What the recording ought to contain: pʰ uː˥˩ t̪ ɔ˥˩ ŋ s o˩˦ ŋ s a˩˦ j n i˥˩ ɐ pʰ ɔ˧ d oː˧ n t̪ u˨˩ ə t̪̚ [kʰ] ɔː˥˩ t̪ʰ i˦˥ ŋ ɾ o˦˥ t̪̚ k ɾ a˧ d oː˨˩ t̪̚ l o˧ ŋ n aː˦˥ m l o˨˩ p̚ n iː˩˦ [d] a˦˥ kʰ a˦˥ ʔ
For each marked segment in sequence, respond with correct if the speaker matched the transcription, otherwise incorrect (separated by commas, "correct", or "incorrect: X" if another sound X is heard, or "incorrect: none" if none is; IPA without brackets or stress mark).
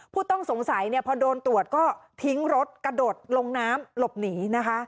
incorrect: k, incorrect: n